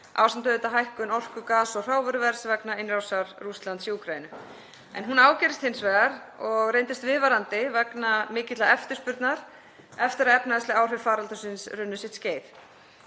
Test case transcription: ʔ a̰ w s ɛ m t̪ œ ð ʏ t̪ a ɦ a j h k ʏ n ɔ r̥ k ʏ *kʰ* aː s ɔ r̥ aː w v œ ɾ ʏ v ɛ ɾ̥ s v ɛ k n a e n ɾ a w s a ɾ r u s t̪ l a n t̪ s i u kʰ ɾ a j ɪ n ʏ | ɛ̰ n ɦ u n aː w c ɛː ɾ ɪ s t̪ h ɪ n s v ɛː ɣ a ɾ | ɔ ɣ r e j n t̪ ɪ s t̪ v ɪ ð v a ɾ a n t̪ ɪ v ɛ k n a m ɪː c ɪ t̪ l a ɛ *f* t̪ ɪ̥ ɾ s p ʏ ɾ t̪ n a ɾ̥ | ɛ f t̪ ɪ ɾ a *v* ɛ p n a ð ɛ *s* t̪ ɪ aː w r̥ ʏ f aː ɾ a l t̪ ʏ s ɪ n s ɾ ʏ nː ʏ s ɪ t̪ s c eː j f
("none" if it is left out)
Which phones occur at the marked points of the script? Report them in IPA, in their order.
k, f, ð, s

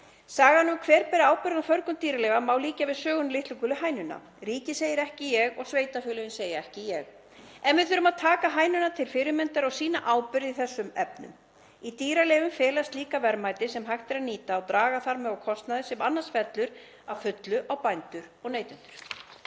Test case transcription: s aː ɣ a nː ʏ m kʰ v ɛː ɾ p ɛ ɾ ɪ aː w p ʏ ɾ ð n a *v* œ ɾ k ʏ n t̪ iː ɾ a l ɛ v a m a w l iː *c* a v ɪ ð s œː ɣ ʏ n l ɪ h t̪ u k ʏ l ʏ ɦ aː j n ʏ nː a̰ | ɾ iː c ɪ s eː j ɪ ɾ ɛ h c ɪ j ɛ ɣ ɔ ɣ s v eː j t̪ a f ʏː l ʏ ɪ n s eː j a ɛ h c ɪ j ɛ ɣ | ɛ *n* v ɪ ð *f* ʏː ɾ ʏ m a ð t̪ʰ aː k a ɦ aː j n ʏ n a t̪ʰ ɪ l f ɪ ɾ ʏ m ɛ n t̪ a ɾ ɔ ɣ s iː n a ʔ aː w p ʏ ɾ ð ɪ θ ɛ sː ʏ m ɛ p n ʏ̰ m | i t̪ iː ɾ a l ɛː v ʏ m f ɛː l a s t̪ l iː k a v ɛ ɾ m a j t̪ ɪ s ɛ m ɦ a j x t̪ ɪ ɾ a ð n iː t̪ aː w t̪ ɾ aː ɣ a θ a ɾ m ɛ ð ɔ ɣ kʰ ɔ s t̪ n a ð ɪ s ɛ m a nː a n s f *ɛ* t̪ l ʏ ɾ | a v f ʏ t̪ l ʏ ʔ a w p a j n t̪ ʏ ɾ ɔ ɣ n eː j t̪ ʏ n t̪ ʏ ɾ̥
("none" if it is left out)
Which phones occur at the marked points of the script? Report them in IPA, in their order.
f, c, n, θ, ɛ

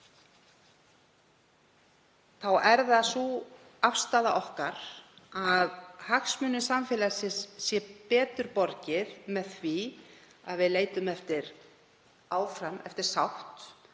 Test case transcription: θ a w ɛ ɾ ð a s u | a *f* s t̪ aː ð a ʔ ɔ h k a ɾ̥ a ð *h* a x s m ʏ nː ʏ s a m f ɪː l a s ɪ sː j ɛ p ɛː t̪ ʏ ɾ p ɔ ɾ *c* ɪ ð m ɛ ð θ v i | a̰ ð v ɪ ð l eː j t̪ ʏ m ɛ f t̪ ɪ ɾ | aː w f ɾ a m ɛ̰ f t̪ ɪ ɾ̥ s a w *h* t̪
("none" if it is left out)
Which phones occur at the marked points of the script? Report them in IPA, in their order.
f, h, c, h

